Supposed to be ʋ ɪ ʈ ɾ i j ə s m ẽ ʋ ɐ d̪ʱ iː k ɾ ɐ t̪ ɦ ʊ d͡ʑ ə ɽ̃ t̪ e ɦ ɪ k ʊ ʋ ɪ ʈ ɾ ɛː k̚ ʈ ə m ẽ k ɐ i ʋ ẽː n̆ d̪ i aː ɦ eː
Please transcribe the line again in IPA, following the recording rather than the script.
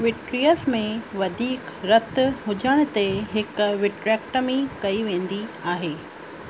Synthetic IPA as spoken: ʋ ɪ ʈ ɾ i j ə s m ẽ ʋ ɐ d̪ʱ iː k ɾ ɐ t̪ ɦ ʊ d͡ʑ ə ɽ̃ t̪ e ɦ ɪ k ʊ ʋ ɪ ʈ ɾ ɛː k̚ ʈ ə m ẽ k ɐ i ʋ ẽː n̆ d̪ i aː ɦ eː